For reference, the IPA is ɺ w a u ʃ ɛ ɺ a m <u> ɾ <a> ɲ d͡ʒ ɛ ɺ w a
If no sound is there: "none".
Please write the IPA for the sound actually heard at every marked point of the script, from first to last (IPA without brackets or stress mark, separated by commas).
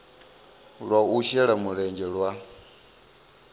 u, ɛ